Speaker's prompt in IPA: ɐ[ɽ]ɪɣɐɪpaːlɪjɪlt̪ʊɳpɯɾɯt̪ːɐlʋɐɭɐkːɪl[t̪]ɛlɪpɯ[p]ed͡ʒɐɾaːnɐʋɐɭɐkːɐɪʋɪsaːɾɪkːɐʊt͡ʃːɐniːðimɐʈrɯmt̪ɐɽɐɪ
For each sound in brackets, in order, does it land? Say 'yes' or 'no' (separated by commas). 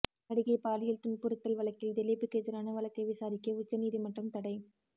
yes, no, no